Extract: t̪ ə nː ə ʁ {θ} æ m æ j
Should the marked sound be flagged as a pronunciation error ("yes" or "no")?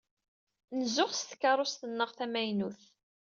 no